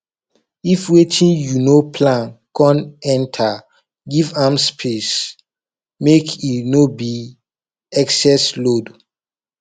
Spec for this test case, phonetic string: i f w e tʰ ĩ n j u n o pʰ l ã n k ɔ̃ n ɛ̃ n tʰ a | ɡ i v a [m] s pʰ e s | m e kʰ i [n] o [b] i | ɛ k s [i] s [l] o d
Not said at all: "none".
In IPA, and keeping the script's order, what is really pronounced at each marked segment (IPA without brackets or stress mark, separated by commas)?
m, n, b, ɛ, l